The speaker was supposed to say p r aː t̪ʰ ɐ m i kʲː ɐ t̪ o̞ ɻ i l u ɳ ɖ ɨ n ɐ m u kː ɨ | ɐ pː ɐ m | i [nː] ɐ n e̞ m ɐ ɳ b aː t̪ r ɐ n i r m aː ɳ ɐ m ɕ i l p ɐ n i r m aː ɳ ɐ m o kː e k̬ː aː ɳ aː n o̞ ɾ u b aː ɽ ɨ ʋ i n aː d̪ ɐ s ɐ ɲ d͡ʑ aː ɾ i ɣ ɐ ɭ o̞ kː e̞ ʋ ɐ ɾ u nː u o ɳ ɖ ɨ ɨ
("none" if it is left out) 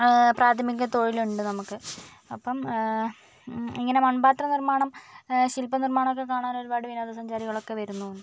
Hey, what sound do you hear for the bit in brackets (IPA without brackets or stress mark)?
ŋː